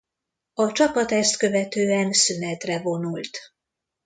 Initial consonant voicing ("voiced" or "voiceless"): voiceless